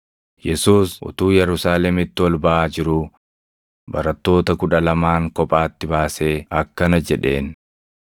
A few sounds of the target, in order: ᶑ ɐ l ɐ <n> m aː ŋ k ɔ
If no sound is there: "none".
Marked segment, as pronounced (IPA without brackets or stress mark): none